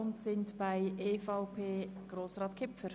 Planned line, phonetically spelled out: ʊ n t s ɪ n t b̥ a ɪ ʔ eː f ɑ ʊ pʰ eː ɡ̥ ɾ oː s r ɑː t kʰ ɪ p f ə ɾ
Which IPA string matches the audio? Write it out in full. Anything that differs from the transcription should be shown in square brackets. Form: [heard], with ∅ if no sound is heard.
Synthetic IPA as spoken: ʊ n t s ɪ n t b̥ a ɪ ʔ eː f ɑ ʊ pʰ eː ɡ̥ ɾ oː s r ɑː t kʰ ɪ p f ə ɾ